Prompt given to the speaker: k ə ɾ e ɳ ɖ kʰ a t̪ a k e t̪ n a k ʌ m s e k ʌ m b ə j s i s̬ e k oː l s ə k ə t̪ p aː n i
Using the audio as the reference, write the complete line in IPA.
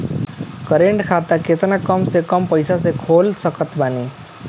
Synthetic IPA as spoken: k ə ɾ e ɳ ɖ kʰ a t̪ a k e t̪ n a k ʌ m s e k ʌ m p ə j s a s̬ e kʰ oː l s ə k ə t̪ b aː n i